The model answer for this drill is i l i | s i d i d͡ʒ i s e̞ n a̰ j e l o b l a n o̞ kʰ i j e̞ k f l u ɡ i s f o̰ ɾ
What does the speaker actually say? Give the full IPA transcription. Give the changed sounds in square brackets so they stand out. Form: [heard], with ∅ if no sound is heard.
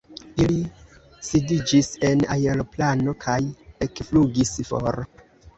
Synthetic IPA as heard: i l i | s i d i d͡ʒ i s e̞ n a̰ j e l o [p] l a n o̞ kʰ [a] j e̞ k f l u ɡ i s f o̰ ɾ